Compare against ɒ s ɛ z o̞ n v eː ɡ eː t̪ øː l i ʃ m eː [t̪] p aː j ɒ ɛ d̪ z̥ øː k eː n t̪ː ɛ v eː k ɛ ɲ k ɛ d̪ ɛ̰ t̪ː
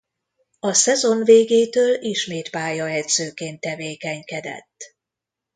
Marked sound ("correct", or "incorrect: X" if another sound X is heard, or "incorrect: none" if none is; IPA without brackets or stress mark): correct